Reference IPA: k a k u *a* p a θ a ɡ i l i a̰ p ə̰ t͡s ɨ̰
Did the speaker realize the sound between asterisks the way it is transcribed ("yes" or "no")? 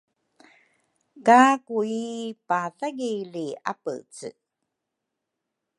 no